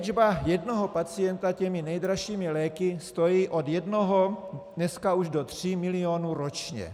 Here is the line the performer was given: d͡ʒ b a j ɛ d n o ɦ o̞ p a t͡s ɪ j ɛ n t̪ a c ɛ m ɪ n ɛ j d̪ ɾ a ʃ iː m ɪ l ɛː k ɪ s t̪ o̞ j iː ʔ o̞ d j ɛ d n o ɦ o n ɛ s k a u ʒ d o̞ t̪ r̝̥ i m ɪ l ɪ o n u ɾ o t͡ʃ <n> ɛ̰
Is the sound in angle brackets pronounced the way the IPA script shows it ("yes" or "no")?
no